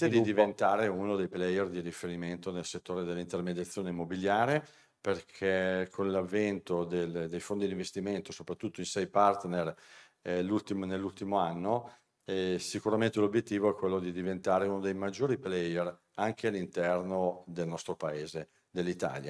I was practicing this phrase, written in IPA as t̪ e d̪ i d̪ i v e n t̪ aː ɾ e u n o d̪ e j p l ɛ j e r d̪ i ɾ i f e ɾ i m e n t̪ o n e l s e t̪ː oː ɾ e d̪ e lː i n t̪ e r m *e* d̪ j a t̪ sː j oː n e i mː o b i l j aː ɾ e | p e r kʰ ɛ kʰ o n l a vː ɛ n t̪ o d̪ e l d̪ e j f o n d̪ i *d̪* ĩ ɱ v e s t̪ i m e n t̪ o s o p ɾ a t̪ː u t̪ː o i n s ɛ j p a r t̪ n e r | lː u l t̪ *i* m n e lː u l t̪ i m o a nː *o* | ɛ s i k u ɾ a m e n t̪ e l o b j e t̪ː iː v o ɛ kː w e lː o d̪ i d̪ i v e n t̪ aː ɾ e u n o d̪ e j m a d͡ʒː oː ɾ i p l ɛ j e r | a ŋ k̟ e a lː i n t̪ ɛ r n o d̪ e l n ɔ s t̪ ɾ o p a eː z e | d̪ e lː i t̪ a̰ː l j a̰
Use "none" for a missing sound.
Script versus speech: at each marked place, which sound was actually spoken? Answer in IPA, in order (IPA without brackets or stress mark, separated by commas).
e, d̪, i, o